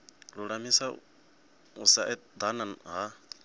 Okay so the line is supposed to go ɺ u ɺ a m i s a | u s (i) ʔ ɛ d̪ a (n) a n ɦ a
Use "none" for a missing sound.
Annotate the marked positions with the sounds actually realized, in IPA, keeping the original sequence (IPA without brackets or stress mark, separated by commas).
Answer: a, n